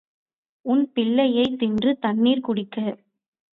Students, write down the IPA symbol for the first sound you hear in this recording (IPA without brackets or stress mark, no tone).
ʊ